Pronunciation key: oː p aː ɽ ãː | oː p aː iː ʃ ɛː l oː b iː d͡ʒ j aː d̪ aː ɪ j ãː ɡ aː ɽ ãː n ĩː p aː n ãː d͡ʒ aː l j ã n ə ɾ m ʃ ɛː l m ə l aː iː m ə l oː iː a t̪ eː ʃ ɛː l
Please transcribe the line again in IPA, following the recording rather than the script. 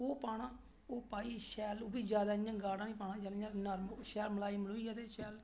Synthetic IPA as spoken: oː p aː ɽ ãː | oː p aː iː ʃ ɛː l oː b iː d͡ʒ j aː d̪ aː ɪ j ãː ɡ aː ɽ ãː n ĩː p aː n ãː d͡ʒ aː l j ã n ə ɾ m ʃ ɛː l m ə l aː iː m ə l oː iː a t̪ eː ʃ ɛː l